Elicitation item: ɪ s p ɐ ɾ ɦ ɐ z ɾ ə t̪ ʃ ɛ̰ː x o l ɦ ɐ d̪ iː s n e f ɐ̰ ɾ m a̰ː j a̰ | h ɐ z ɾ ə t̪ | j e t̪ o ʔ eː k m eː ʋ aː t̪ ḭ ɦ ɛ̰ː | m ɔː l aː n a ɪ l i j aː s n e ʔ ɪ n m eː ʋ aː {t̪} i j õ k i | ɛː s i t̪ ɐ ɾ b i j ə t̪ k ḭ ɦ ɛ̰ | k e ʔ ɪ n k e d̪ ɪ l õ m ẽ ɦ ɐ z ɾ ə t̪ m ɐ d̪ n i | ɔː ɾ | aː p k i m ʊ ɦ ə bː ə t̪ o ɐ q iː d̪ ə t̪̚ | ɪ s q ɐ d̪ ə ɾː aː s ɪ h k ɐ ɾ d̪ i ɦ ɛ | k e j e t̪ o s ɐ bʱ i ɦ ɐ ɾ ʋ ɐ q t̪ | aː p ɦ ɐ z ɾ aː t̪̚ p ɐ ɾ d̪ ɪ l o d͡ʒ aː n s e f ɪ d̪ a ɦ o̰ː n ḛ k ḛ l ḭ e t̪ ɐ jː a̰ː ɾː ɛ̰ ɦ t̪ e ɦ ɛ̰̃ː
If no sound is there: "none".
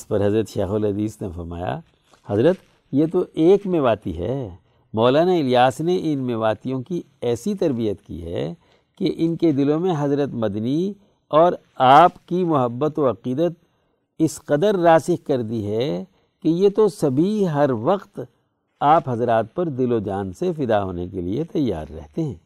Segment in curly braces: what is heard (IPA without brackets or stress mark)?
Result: t̪